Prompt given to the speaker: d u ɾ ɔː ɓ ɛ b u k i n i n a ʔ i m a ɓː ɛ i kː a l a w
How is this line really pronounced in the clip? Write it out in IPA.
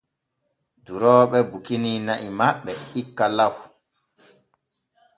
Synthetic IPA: d u ɾ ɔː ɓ ɛ b u k i n i n a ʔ i m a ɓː ɛ i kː a l a w